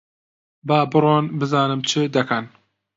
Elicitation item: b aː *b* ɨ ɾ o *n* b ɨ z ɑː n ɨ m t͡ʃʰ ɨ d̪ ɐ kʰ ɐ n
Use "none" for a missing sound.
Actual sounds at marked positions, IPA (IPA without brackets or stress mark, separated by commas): b, n